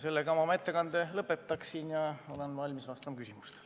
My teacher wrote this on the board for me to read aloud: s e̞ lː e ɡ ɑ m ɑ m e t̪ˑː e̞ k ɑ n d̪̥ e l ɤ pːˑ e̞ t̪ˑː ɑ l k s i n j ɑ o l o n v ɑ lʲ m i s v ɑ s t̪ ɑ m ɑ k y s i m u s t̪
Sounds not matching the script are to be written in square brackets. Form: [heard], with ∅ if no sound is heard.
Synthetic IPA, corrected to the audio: s e̞ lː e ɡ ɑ m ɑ m e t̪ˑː e̞ k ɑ n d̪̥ e l ɤ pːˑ e̞ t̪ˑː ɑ [∅] k s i n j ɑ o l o n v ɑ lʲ m i s v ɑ s t̪ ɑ m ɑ k y s i m u s t̪